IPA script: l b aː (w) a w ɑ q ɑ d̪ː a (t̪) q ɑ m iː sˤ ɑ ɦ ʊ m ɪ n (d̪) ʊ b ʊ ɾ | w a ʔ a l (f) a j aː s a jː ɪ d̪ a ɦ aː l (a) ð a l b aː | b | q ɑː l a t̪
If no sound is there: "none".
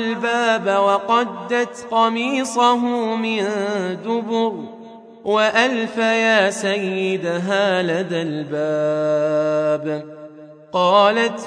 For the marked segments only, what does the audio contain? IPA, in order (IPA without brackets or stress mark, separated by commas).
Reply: b, t̪, d̪, f, a